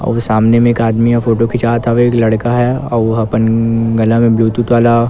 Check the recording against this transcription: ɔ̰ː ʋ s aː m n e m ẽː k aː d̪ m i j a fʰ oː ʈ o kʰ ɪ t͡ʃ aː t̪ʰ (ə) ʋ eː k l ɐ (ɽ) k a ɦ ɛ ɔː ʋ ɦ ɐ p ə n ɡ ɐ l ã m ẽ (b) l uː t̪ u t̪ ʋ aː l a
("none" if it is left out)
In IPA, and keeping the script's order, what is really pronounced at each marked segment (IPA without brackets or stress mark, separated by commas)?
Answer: a, ɽ, b